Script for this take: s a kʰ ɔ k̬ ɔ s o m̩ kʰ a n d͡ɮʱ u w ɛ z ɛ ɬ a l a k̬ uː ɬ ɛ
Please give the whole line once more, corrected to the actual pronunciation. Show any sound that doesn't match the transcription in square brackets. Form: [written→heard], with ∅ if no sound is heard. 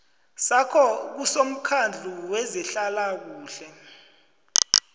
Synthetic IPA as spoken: s a kʰ ɔ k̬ [ɔ→u] s o m̩ kʰ a n d͡ɮʱ u w ɛ z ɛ ɬ a l a k̬ uː ɬ ɛ